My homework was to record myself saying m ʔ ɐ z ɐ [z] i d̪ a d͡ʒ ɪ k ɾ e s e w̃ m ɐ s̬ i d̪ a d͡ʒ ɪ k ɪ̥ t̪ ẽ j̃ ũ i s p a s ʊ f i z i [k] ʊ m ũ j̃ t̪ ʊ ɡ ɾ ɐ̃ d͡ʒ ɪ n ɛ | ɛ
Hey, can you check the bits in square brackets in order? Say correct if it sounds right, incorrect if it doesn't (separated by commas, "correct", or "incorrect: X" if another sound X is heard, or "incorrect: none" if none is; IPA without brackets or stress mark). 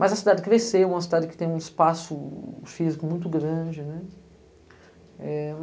incorrect: s, correct